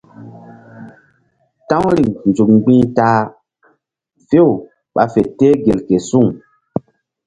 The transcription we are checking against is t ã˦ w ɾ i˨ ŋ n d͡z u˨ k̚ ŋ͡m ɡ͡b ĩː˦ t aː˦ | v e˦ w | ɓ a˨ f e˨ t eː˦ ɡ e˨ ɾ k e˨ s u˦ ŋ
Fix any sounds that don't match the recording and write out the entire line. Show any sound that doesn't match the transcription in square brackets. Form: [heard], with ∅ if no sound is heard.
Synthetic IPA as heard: t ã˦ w ɾ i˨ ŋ n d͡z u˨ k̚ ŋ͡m ɡ͡b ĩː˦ t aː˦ | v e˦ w | ɓ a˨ f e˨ t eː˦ ɡ e˨ [l] k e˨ s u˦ ŋ